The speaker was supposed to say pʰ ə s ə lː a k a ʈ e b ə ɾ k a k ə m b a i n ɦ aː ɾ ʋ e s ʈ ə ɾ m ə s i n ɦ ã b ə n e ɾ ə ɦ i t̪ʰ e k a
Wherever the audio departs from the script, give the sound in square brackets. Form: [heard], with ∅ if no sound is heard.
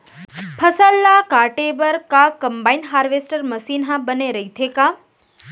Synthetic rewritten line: pʰ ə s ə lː a k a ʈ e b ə ɾ k a k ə m b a i n ɦ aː ɾ ʋ e s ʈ ə ɾ m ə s i n ɦ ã b ə n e ɾ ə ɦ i t̪ʰ e k a